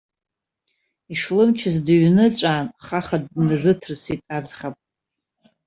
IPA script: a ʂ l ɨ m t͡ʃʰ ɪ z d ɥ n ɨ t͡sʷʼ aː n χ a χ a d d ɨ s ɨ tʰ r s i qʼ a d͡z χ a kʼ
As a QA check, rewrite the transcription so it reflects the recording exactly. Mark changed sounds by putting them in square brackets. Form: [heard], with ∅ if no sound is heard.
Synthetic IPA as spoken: [i] ʂ l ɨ m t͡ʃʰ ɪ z d ɥ n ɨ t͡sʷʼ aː n χ a χ a d [n] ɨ [z] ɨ tʰ r s i [tʼ] a d͡z χ a [pʼ]